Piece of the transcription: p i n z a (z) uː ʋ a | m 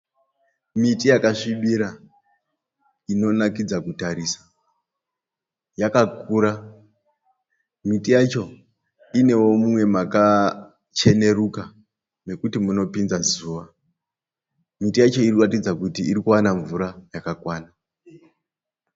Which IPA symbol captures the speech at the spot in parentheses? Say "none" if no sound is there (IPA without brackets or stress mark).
z